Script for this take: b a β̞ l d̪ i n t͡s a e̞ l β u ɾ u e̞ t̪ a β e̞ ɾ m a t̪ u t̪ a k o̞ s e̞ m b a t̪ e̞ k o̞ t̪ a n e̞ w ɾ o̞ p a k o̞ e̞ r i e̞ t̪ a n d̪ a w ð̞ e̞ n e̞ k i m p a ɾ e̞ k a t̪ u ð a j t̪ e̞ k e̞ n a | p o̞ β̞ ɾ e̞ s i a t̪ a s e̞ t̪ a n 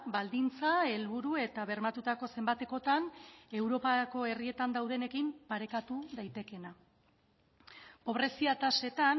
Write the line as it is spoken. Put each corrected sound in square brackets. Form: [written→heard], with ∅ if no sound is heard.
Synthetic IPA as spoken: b a [β̞→∅] l d̪ i n t͡s a e̞ l β u ɾ u e̞ t̪ a β e̞ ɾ m a t̪ u t̪ a k o̞ s e̞ m b a t̪ e̞ k o̞ t̪ a n e̞ w ɾ o̞ p a k o̞ e̞ r i e̞ t̪ a n d̪ a w ð̞ e̞ n e̞ k i m p a ɾ e̞ k a t̪ u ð a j t̪ e̞ k e̞ n a | p o̞ β̞ ɾ e̞ s i a t̪ a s e̞ t̪ a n